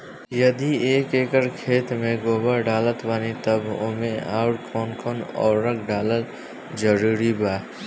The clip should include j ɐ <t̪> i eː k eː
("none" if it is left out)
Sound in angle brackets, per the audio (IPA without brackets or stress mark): d̪